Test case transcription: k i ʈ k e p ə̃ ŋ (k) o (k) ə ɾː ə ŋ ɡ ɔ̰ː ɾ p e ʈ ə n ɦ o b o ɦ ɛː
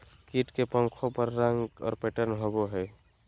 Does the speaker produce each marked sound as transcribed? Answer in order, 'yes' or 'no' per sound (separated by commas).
no, no